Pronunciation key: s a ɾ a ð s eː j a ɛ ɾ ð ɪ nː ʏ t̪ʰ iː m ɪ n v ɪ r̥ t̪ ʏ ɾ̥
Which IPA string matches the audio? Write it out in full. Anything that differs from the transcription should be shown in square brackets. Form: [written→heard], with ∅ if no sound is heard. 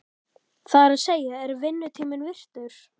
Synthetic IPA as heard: [s→θ] a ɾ a ð s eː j a ɛ ɾ [ð→v] ɪ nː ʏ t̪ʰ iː m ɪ n v ɪ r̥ t̪ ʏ ɾ̥